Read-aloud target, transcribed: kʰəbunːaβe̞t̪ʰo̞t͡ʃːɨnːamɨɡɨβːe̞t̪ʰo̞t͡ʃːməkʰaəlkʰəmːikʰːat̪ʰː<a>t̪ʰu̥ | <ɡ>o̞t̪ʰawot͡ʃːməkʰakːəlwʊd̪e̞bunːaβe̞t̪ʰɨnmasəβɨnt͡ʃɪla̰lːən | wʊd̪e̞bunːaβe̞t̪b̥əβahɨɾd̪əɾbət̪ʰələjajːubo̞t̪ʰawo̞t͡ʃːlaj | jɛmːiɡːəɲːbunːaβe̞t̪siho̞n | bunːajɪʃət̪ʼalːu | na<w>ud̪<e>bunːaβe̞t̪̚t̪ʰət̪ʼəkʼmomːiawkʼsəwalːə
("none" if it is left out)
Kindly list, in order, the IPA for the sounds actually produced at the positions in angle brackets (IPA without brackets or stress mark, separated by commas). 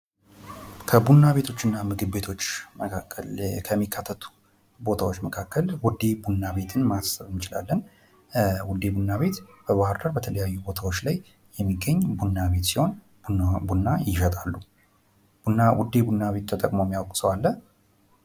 ə, b, w, e